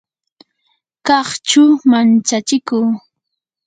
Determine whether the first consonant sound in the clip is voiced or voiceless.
voiceless